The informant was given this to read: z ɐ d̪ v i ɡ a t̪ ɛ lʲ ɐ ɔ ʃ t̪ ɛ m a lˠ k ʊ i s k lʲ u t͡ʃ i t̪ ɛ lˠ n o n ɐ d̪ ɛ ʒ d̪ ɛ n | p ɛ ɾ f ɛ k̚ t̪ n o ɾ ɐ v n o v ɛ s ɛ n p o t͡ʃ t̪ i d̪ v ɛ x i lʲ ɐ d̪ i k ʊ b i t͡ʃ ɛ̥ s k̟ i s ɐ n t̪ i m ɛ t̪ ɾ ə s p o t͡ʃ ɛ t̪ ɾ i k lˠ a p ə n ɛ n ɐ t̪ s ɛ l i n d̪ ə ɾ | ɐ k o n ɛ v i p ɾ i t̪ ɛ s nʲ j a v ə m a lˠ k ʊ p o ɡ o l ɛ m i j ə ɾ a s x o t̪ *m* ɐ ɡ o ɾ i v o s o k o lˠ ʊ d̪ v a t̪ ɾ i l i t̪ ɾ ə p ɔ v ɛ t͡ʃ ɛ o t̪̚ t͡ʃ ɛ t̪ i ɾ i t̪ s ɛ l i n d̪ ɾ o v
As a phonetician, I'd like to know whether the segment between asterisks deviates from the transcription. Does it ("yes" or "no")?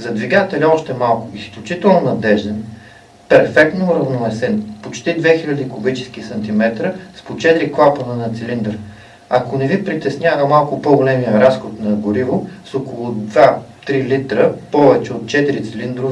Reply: yes